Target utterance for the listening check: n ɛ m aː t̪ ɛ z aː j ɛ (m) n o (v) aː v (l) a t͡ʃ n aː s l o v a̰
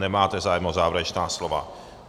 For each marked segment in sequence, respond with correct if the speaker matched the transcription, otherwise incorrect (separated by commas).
correct, incorrect, incorrect